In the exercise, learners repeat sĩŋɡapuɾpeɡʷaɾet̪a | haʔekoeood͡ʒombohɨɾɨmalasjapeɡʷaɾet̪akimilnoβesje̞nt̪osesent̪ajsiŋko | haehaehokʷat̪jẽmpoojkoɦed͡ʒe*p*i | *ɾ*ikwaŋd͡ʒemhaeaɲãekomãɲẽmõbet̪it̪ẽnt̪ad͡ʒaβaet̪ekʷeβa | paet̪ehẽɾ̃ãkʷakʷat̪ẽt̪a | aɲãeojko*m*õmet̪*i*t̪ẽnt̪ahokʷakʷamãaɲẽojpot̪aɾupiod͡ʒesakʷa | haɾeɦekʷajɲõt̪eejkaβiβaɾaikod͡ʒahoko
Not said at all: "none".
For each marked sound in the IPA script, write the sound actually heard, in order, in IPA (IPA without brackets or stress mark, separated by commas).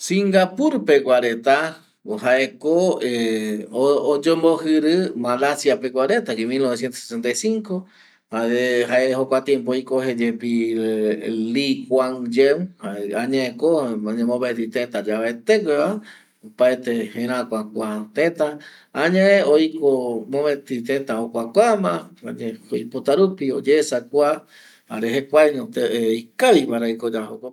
p, l, m, i